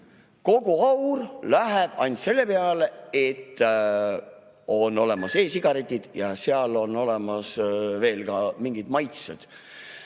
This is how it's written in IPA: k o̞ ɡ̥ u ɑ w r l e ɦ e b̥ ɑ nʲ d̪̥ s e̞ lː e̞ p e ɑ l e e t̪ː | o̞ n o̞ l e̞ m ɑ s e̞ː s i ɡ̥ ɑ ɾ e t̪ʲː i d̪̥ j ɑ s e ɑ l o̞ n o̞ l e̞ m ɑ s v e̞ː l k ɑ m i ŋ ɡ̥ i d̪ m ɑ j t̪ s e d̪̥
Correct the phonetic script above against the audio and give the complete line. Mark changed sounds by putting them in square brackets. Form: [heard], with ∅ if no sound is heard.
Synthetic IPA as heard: k o̞ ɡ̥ u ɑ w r l [æ] ɦ e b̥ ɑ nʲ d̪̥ s e̞ lː e̞ p e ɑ l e e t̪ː | o̞ n o̞ l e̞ m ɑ s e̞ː s i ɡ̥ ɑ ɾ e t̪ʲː i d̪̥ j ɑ s e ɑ l o̞ n o̞ l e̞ m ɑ s v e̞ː l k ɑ m i ŋ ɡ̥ i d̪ m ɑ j t̪ s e d̪̥